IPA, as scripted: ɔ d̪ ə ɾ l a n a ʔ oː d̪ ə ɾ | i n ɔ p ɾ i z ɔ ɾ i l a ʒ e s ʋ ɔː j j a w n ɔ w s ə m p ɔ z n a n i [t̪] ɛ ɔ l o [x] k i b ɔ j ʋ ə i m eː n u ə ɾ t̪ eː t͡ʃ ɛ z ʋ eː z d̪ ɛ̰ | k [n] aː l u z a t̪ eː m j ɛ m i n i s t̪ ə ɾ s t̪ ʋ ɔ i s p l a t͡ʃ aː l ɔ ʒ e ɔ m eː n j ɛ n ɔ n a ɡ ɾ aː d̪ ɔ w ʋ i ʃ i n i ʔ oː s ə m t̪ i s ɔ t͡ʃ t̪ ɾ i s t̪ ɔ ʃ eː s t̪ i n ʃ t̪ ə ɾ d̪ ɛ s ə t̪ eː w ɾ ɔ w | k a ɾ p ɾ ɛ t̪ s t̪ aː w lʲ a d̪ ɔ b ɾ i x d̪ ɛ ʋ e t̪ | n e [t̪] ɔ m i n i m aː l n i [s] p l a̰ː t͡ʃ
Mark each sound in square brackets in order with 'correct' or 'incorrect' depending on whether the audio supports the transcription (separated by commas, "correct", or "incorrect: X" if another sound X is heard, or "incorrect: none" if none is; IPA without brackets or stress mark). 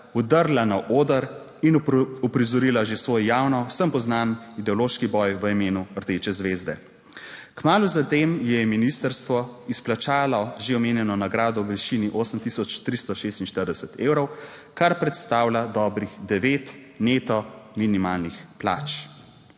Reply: incorrect: d̪, incorrect: ʃ, incorrect: m, correct, incorrect: x